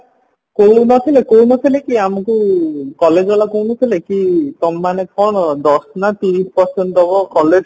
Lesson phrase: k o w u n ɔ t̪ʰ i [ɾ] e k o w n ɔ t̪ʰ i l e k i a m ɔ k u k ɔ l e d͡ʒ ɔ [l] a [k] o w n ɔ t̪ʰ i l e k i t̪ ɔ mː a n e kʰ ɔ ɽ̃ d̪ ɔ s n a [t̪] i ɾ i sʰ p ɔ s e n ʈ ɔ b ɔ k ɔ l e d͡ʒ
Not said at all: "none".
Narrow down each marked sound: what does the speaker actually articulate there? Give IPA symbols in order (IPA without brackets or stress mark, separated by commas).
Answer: l, l, k, t̪